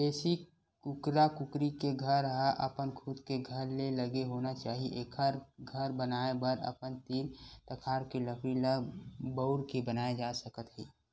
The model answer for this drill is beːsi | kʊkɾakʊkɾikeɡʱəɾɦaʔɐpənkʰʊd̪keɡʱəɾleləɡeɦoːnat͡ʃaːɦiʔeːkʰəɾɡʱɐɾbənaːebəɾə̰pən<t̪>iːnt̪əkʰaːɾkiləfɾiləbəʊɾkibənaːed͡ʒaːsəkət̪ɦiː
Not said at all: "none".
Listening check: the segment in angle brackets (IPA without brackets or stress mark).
t̪